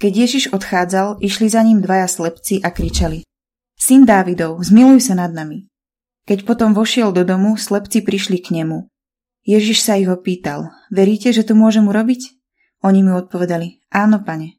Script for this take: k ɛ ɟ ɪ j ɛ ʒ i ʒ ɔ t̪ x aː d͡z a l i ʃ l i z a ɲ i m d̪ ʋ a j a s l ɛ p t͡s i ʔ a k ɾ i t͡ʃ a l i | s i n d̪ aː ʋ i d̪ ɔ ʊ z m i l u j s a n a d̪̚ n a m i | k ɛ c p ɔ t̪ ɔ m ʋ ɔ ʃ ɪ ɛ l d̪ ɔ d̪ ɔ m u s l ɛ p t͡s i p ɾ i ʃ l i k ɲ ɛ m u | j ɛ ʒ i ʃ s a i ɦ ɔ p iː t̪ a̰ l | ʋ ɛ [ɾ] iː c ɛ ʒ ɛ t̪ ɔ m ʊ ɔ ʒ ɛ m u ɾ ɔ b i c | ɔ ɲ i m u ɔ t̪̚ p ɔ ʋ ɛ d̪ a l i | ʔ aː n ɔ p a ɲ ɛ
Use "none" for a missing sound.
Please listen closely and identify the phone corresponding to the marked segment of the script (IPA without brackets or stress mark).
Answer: ɾ